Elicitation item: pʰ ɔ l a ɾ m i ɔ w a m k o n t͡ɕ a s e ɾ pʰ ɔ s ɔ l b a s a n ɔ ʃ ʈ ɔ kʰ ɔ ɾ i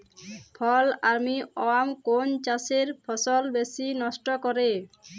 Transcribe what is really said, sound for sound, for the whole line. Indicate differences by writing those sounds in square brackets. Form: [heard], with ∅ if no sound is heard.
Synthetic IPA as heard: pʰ ɔ l a ɾ m i ɔ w a m k o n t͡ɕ a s e ɾ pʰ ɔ s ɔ l b [e] s [i] n ɔ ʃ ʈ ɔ [k] ɔ ɾ [e]